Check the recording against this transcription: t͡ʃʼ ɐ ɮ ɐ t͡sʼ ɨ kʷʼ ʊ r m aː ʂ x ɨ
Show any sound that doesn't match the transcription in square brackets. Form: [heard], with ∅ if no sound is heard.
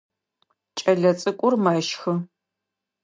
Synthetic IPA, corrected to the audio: t͡ʃʼ ɐ ɮ ɐ t͡sʼ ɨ kʷʼ ʊ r m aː [ʃ] x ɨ